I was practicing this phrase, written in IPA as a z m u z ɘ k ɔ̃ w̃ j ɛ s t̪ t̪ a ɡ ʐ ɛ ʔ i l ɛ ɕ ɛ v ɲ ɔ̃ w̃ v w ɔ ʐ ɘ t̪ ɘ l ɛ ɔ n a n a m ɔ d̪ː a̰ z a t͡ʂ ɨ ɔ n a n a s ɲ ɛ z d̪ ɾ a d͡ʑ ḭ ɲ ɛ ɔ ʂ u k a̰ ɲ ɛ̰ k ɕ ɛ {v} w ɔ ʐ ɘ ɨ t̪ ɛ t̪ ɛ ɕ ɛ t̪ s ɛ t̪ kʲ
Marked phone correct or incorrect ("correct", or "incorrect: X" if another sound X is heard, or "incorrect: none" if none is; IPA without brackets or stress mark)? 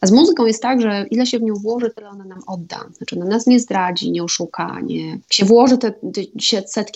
correct